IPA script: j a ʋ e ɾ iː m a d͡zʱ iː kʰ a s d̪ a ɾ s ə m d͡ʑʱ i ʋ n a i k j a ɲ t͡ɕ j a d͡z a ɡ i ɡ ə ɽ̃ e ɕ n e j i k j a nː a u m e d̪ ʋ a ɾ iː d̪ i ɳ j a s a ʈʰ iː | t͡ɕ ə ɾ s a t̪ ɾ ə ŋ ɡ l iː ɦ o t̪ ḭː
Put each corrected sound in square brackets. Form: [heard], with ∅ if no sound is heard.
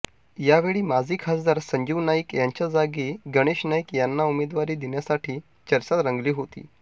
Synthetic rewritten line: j a ʋ e [ɭ] iː m a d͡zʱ iː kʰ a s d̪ a ɾ s ə [ɲ] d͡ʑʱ i ʋ n a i k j a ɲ t͡ɕ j a d͡z a ɡ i ɡ ə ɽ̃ e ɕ n [a] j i k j a nː a u m e d̪ ʋ a ɾ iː d̪ i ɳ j a s a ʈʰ iː | t͡ɕ ə ɾ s a t̪ ɾ ə ŋ ɡ l iː ɦ o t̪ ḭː

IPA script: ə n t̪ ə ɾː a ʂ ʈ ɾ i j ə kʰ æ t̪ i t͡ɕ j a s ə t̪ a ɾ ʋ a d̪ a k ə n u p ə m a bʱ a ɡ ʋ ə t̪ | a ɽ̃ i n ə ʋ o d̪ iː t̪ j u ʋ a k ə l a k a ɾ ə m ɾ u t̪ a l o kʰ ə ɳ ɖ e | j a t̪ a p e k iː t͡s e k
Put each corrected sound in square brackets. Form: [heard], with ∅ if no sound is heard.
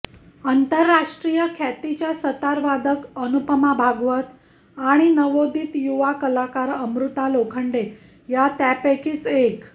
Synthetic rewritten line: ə n t̪ ə ɾː a ʂ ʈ ɾ i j ə kʰ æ t̪ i t͡ɕ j a s ə t̪ a ɾ ʋ a d̪ [ə] k ə n u p ə m a bʱ a ɡ ʋ ə t̪ | a ɽ̃ i n ə ʋ o d̪ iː t̪ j u ʋ a k ə l a k a ɾ ə m ɾ u t̪ a l o kʰ ə ɳ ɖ e | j a t̪ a p e k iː t͡s e k

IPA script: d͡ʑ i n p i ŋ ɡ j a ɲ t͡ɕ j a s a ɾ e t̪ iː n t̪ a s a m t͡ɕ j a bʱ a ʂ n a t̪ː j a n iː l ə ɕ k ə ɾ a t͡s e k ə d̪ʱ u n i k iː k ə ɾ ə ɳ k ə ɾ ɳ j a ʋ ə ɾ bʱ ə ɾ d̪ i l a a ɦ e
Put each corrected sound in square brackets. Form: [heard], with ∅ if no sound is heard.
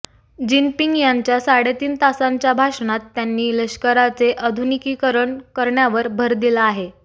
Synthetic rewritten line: d͡ʑ i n p i ŋ ɡ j a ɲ t͡ɕ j a s a [ɽ] e t̪ iː n t̪ a s a [ɲ] t͡ɕ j a bʱ a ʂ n a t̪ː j a [nː] iː l ə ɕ k ə ɾ a t͡s e [ʔ] ə d̪ʱ u n i k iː k ə ɾ ə ɳ k ə ɾ ɳ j a ʋ ə ɾ bʱ ə ɾ d̪ i l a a ɦ e

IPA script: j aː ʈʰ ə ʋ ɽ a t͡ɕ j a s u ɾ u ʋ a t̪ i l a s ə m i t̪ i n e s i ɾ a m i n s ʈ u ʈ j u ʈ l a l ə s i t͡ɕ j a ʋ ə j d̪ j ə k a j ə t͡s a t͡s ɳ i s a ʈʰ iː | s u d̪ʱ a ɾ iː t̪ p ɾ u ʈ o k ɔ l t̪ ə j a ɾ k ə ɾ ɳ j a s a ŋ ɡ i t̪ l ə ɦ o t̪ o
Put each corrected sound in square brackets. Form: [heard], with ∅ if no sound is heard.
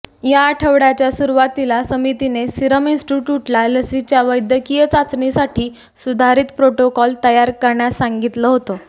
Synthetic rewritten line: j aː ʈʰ ə ʋ ɽ a t͡ɕ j a s u ɾ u ʋ a t̪ i l a s ə m i t̪ i n e s i ɾ [ə] m i n s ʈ u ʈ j u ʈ l a l ə s i t͡ɕ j a ʋ ə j d̪ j ə k [i] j ə t͡s a t͡s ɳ i s a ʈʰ iː | s u d̪ʱ a ɾ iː t̪ p ɾ [o] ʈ o k ɔ l t̪ ə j a ɾ k ə ɾ ɳ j a s a ŋ ɡ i t̪ l ə ɦ o t̪ o

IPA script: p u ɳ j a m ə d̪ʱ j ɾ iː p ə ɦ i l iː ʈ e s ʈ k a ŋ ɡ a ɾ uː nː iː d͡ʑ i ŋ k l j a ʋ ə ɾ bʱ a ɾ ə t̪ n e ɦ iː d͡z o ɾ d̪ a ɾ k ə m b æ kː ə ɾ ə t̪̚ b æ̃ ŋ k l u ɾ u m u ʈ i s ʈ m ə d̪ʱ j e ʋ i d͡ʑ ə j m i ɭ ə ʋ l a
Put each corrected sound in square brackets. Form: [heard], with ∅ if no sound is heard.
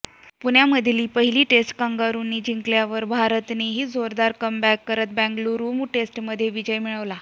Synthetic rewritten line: p u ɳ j a m ə d̪ʱ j [l] iː p ə ɦ i l iː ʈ e s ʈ k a ŋ ɡ a ɾ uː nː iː d͡ʑ i ŋ k l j a ʋ ə ɾ bʱ a ɾ ə t̪ n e ɦ iː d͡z o ɾ d̪ a ɾ k ə m b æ kː ə ɾ ə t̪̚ b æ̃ ŋ [ɡ] l u ɾ u m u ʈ [e] s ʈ m ə d̪ʱ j e ʋ i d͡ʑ ə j m i ɭ ə ʋ l a

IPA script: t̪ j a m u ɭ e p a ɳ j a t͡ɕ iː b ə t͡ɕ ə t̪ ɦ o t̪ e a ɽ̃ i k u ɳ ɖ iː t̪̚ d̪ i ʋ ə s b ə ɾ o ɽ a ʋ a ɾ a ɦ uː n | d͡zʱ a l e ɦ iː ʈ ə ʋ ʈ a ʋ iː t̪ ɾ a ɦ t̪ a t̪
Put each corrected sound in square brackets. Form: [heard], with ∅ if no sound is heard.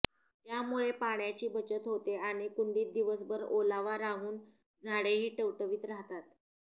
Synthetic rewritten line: t̪ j a m u ɭ e p a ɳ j a t͡ɕ iː b ə t͡ɕ ə t̪ ɦ o t̪ e a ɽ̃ i k u ɳ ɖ iː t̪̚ d̪ i ʋ ə s b ə ɾ o [l] a ʋ a ɾ a ɦ uː n | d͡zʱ a [ɽ] e ɦ iː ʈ ə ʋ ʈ [ə] ʋ iː t̪ ɾ a ɦ t̪ a t̪

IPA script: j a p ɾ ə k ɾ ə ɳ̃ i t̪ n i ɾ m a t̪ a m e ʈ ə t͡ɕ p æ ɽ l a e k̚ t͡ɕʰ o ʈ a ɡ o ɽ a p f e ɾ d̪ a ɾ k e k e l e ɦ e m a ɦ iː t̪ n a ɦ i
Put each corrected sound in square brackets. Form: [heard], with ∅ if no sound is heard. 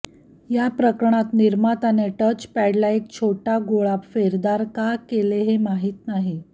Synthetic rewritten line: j a p ɾ ə k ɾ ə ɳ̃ [a] t̪ n i ɾ m a t̪ a [n] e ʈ ə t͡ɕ p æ ɽ l a e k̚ t͡ɕʰ o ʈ a ɡ o [ɭ] a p f e ɾ d̪ a ɾ k [a] k e l e ɦ e m a ɦ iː t̪ n a ɦ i

